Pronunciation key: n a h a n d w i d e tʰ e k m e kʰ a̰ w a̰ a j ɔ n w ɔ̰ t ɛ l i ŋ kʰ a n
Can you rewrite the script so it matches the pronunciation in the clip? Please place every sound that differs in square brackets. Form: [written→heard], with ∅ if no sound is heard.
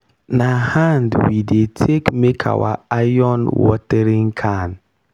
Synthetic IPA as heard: n a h a n d w i d e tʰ e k m e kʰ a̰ w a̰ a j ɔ n w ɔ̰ t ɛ [l→ɾ] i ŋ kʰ a n